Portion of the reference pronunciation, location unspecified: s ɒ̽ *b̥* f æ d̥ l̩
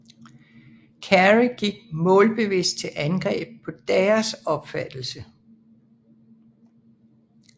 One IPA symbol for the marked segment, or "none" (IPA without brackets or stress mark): b̥